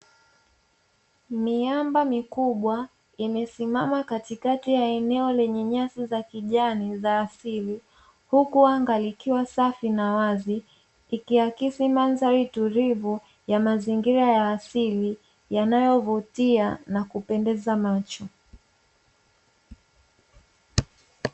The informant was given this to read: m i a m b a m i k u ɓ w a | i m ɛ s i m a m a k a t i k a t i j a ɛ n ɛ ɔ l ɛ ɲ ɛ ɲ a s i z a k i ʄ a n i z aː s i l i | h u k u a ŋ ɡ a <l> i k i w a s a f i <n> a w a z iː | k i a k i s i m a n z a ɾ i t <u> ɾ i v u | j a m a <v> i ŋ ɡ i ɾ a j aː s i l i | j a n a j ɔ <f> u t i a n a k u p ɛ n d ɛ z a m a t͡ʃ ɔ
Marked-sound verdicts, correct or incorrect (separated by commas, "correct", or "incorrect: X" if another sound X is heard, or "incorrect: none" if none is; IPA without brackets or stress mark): correct, correct, correct, incorrect: z, incorrect: v